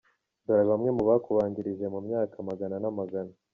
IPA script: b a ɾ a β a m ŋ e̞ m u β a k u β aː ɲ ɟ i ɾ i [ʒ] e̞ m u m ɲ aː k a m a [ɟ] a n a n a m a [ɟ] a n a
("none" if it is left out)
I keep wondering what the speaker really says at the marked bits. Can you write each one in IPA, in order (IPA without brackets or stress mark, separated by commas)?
ʒ, ɡ, ɡ